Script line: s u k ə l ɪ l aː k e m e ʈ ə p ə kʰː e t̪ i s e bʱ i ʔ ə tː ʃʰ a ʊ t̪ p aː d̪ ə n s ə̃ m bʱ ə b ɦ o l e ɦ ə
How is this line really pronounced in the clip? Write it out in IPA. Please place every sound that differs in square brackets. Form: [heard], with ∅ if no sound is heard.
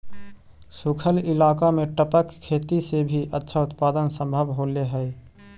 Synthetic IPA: s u [kʰ] ə l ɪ l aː k [a] m e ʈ ə p ə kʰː e t̪ i s e bʱ i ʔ ə tː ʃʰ a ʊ t̪ p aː d̪ ə n s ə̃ m bʱ ə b ɦ o l e ɦ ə